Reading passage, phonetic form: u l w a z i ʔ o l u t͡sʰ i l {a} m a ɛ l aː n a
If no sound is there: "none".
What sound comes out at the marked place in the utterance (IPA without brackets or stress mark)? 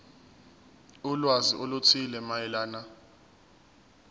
ɛ